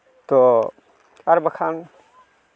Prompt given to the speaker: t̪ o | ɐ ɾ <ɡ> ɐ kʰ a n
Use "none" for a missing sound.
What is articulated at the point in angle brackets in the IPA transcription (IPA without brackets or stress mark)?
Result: b